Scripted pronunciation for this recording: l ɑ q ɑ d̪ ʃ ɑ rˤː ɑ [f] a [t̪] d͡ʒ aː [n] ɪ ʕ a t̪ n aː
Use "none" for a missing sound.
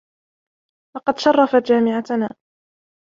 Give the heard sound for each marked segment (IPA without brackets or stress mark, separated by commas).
f, t̪, m